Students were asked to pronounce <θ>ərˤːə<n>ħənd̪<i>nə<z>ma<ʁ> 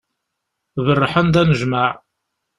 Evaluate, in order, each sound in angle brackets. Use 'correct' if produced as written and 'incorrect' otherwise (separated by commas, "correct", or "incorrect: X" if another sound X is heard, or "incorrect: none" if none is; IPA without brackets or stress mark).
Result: incorrect: ð, incorrect: none, incorrect: æ, incorrect: ʒ, incorrect: ʕ